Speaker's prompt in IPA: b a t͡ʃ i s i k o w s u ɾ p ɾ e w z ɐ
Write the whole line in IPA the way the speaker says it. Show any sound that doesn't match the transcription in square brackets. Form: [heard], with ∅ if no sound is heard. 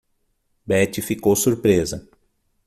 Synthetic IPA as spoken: b [ɛ] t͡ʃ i [f] i k o w s u ɾ p ɾ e [∅] z ɐ